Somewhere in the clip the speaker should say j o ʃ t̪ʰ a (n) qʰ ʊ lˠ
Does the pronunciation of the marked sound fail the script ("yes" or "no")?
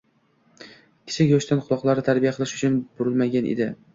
no